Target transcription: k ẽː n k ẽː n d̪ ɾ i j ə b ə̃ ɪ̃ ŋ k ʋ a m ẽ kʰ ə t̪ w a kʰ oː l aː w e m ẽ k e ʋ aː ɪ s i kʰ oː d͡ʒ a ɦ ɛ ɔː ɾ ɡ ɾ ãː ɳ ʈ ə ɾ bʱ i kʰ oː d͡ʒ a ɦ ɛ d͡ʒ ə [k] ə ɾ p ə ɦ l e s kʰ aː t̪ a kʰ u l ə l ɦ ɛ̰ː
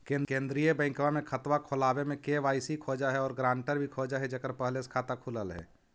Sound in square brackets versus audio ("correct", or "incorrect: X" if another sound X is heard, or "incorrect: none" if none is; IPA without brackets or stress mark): correct